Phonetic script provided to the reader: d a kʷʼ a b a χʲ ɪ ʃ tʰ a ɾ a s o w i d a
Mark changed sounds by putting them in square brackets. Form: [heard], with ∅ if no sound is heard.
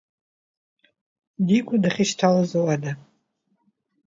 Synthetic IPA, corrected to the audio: d [i] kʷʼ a [d] a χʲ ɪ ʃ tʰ a [l] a [z] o w [a] d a